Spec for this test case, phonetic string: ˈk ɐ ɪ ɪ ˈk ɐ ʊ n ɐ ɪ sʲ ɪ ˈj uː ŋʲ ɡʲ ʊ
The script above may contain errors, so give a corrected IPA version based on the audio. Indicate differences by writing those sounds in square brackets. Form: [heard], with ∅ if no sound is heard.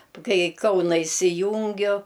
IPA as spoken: ˈk ɐ ɪ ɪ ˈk ɐ ʊ n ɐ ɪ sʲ ɪ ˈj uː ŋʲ ɡʲ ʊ